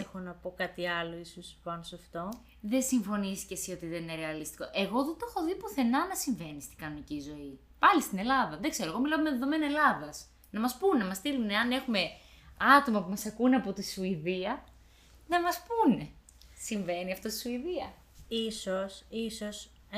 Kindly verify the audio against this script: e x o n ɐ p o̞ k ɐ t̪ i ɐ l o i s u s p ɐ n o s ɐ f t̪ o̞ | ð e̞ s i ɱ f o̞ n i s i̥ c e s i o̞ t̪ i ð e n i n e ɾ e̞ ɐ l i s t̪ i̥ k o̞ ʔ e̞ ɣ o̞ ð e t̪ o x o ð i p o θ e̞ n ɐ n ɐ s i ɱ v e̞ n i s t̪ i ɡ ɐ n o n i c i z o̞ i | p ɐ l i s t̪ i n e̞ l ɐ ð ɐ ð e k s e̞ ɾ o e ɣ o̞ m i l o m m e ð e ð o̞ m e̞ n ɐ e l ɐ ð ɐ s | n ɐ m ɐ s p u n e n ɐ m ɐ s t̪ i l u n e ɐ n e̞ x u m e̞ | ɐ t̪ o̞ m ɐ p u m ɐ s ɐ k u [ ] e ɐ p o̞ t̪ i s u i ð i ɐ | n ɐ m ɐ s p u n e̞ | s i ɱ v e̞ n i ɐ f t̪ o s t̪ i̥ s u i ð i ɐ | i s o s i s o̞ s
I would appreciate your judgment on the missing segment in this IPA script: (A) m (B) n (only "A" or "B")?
B